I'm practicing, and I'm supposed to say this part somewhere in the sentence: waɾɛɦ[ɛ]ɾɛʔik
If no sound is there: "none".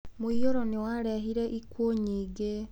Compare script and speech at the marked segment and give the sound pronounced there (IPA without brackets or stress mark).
i